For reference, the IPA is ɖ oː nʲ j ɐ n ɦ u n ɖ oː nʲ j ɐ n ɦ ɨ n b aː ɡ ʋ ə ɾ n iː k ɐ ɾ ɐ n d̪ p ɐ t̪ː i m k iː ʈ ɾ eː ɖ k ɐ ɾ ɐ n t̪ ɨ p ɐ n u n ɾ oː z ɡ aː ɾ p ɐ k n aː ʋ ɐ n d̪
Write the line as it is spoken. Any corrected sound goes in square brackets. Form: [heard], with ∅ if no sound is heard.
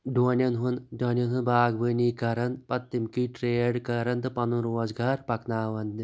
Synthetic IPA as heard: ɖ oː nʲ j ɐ n ɦ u n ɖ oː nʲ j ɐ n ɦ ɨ n b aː ɡ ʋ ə [∅] n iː k ɐ ɾ ɐ n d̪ p ɐ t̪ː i m k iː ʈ ɾ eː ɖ k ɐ ɾ ɐ n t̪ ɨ p ɐ n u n ɾ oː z ɡ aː ɾ p ɐ k n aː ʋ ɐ n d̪